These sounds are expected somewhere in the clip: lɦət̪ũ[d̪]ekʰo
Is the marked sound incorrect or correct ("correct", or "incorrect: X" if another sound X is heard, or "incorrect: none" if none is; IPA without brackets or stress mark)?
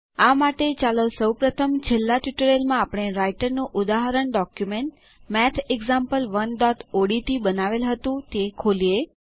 incorrect: t̪